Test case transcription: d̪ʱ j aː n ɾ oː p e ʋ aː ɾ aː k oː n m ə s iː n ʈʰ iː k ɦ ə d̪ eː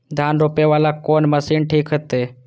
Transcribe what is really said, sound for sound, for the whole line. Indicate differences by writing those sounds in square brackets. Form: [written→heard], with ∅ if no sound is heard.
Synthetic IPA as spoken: d̪ʱ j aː n ɾ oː p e ʋ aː [ɾ→l] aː k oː n m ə s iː n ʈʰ iː k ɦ ə [d̪→t̪] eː